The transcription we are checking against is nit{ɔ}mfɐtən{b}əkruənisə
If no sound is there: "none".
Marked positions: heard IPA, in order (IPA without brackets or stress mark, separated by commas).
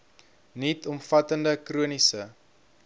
ɔ, d